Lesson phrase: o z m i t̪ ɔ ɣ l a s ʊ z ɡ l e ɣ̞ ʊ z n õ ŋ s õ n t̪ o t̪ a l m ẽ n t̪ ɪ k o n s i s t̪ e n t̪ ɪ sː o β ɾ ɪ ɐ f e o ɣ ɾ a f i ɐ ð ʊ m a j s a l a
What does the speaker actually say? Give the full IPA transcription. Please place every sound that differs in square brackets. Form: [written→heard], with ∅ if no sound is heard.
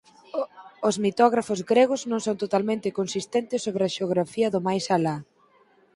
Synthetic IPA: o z m i t̪ ɔ ɣ [l→ɾ] a [s→f] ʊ z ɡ [l→ɾ] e ɣ̞ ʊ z n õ ŋ s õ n t̪ o t̪ a l m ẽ n t̪ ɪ k o n s i s t̪ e n t̪ ɪ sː o β ɾ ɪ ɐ [f→ʃ] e o ɣ ɾ a f i ɐ ð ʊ m a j s a l a